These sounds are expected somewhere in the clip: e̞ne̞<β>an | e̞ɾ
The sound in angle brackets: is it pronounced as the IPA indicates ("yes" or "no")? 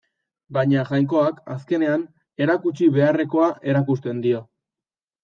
no